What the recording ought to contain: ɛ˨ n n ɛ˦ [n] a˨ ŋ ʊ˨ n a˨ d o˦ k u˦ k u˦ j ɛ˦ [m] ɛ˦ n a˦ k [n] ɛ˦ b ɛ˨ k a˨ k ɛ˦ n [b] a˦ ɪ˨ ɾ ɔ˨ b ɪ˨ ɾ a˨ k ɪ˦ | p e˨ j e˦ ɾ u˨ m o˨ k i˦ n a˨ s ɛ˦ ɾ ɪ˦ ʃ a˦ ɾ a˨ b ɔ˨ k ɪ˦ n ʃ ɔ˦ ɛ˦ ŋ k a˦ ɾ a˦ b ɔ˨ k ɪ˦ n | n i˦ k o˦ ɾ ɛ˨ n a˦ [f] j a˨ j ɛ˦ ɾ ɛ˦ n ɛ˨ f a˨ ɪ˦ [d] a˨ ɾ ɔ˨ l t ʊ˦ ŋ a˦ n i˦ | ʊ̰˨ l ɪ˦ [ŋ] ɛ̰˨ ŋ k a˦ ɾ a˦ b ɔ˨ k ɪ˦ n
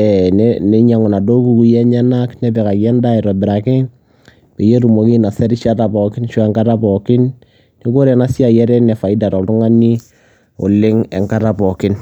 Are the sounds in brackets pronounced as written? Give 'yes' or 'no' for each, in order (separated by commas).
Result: no, no, yes, no, no, yes, yes